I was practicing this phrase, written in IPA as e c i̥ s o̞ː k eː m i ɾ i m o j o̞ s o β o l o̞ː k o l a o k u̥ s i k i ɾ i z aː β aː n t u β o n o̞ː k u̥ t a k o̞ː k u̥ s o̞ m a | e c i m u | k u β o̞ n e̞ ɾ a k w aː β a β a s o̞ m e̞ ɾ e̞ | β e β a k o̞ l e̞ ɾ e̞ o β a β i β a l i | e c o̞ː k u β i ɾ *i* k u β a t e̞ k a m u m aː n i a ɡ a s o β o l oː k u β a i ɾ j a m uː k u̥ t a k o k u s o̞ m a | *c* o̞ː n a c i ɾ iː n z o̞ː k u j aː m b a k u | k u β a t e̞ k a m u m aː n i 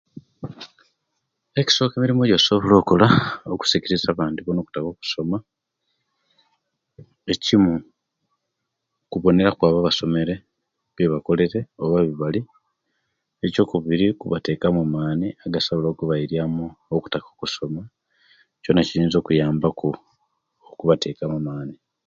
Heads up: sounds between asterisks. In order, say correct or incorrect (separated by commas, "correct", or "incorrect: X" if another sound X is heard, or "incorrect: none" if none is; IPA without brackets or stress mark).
correct, correct